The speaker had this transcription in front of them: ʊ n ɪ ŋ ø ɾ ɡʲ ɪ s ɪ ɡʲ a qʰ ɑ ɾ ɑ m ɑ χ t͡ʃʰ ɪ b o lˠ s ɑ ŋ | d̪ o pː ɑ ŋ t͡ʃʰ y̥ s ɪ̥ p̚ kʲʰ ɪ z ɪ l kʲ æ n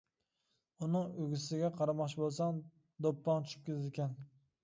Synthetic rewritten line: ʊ n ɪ ŋ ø ɡʲ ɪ s ɪ ɡʲ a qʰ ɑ ɾ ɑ m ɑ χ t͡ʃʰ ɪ b o lˠ s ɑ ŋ | d̪ o pː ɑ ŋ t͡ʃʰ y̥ ʃ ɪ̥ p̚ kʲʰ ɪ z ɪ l kʲ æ n